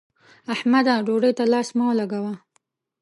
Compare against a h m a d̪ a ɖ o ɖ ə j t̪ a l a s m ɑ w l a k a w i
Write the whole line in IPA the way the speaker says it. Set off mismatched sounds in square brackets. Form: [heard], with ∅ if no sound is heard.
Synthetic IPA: a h m a d̪ a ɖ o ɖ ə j t̪ a l [ɑ] s m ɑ w l a [ɡ] a w [a]